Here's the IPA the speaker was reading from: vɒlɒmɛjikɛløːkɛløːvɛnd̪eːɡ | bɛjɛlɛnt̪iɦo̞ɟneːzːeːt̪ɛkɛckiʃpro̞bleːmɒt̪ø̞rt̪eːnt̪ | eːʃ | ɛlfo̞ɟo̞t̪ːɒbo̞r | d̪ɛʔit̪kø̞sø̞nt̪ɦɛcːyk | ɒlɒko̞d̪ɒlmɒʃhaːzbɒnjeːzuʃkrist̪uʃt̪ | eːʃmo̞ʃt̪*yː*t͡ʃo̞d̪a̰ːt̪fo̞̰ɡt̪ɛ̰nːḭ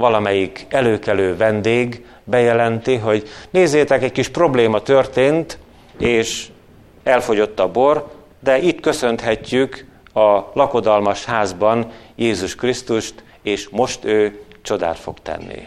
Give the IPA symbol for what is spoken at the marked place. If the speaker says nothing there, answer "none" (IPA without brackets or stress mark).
øː